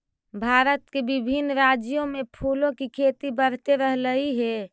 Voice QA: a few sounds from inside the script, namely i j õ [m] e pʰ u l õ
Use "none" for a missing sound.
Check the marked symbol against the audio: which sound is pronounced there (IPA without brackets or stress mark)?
m